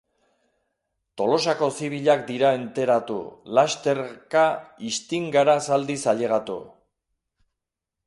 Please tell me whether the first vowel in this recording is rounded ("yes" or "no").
yes